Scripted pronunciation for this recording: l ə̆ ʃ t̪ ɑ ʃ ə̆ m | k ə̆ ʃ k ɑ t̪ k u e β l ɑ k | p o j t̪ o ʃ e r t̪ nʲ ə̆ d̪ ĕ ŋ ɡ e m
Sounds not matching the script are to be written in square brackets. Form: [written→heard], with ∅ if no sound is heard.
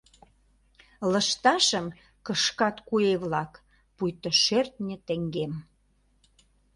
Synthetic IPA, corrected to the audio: l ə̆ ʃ t̪ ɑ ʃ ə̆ m | k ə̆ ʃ k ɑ t̪ k u e β l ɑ k | p [o→u] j t̪ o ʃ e r t̪ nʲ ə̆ [d̪→t̪] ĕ ŋ ɡ e m